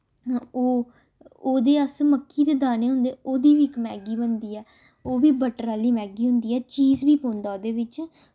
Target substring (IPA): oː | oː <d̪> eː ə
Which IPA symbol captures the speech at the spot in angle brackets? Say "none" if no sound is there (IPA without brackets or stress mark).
d̪